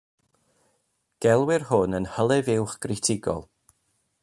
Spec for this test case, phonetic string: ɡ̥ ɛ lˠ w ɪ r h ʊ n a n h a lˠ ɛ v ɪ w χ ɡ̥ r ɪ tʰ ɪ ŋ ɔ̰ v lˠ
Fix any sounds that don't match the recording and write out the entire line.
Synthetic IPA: ɡ̥ ɛ lˠ w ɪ r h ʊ n ə n h ə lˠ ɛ v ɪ w χ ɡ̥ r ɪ tʰ ɪ ɡ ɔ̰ lˠ